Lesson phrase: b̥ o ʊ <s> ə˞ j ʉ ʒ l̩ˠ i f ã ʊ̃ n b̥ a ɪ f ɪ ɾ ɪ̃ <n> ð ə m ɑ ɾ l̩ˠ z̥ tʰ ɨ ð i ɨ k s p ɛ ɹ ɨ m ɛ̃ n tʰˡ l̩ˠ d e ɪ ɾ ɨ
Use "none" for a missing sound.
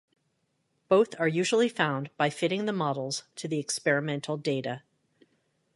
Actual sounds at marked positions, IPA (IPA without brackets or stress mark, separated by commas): θ, ŋ